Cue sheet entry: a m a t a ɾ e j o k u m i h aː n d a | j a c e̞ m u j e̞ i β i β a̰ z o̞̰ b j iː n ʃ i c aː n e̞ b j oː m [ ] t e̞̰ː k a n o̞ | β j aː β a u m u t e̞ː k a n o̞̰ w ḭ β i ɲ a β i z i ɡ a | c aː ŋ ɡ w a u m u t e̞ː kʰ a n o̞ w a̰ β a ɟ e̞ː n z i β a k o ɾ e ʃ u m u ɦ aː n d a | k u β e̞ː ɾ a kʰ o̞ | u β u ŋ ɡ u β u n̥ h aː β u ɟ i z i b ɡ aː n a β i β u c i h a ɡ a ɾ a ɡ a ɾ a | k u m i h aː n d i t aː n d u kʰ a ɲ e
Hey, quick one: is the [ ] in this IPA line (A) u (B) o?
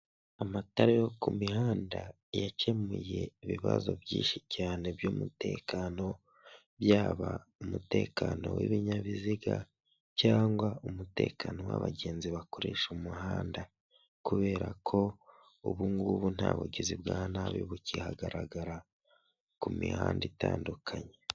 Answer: A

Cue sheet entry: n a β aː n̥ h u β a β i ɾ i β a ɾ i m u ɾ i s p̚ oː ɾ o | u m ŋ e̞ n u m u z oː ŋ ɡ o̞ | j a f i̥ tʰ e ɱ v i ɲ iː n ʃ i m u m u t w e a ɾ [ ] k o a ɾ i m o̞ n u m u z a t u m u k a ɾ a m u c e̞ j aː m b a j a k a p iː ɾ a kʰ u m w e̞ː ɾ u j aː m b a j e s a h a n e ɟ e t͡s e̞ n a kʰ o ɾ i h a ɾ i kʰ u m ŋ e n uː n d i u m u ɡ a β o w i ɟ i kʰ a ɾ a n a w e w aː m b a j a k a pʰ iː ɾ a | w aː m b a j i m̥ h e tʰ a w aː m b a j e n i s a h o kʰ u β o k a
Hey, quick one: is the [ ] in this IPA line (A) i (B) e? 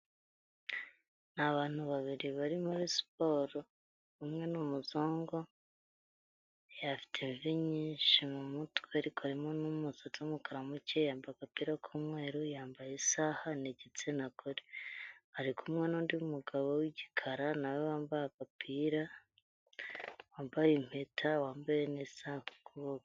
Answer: A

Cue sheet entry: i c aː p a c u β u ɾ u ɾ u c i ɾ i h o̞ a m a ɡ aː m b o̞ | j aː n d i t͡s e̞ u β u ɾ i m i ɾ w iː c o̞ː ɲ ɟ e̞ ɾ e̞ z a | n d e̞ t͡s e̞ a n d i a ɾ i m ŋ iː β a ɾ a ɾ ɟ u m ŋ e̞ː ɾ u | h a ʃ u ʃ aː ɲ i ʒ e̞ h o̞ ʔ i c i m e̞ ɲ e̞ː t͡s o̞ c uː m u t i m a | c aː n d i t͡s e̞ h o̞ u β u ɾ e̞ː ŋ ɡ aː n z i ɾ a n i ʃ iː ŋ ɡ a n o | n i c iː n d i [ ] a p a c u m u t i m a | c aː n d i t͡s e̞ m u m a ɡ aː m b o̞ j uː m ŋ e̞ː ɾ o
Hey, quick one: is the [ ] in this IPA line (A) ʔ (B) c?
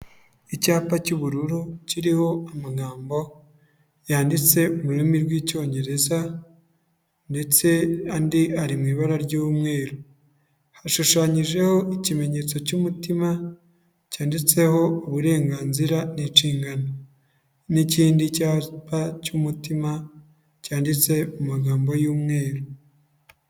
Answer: B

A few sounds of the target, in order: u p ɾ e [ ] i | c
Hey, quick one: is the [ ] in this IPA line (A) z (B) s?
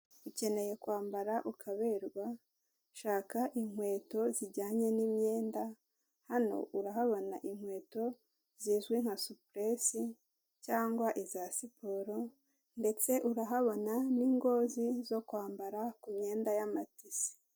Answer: B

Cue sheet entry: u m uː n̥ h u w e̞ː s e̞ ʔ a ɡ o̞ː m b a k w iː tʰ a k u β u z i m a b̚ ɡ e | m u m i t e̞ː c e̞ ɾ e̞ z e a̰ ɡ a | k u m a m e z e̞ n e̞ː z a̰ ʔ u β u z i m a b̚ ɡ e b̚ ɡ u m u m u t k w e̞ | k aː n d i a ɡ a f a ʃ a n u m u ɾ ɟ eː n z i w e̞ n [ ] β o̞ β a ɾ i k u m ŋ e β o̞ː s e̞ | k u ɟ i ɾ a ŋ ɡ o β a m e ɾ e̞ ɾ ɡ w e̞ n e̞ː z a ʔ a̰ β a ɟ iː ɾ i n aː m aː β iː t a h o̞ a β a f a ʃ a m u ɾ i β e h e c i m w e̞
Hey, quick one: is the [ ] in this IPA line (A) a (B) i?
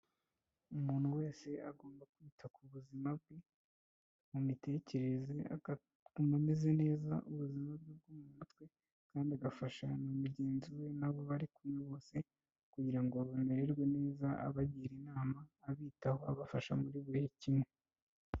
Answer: A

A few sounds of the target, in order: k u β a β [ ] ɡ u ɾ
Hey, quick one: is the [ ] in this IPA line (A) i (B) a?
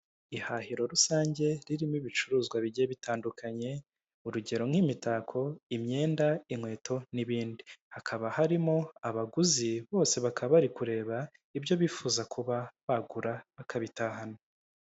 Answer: B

